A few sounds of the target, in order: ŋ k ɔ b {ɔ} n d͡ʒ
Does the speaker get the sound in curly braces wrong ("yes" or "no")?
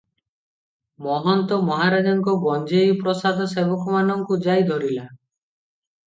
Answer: no